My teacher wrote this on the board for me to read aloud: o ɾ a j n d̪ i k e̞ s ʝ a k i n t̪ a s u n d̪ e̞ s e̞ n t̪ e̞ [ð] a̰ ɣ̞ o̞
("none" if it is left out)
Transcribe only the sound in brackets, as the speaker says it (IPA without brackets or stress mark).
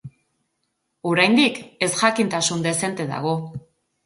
ð